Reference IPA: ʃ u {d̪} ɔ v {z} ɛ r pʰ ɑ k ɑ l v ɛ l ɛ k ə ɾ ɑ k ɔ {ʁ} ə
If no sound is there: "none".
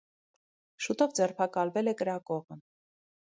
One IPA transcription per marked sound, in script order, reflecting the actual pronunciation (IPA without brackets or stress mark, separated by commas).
t̪, d͡z, ʁ